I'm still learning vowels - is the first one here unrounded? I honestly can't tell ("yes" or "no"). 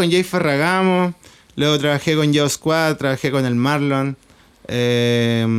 no